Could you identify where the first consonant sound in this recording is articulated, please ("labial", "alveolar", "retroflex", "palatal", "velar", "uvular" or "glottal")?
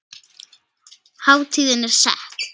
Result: glottal